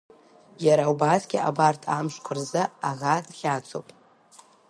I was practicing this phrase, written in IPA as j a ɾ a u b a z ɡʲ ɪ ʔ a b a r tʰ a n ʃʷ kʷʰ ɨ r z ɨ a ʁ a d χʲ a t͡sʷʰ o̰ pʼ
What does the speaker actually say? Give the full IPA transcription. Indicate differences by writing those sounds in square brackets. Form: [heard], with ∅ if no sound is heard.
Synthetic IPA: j a ɾ a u b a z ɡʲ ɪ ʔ a b a r tʰ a [m] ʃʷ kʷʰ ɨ r z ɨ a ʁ a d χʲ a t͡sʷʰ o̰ pʼ